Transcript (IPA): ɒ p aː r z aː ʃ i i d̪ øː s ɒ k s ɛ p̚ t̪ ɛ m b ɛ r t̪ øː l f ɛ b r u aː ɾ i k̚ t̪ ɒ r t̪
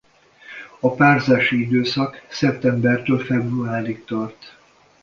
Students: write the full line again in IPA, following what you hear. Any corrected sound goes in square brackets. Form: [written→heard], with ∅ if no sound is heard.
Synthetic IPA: ɒ p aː r z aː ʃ i i d̪ øː s ɒ k s ɛ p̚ t̪ ɛ m b ɛ r t̪ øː l f ɛ b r u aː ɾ i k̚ t̪ ɒ r t̪